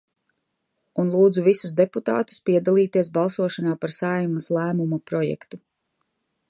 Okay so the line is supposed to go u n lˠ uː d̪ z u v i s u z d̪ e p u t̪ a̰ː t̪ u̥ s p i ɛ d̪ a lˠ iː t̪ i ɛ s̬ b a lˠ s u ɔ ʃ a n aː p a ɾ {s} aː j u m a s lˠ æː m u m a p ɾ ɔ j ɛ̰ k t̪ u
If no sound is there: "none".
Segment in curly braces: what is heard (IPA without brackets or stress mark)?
s